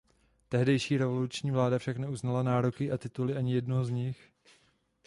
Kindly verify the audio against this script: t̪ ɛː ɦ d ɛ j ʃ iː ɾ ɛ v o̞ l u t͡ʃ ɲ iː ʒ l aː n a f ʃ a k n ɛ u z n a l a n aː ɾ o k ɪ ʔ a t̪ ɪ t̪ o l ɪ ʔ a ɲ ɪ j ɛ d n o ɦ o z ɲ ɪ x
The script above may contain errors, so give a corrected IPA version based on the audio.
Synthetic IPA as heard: t̪ ɛ ɦ d ɛ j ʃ iː ɾ ɛ v o̞ l u t͡ʃ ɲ iː v l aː d a f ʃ a k n ɛ u z n a l a n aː ɾ o k ɪ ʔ a t̪ ɪ t̪ u l ɪ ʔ a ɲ ɪ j ɛ d n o ɦ o z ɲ ɪ x